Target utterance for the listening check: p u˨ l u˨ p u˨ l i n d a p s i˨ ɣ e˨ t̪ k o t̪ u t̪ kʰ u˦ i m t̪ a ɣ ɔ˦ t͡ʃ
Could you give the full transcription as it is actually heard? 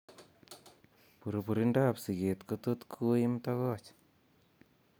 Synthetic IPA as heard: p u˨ ɾ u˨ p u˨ ɾ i n d a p s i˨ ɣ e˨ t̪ k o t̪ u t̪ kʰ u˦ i m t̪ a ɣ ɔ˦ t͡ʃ